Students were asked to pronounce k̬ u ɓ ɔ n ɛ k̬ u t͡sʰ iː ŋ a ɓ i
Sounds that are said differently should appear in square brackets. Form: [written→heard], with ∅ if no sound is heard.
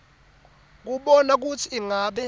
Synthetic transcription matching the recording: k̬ u ɓ ɔ n [ɛ→a] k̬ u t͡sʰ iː ŋ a ɓ [i→ɛ]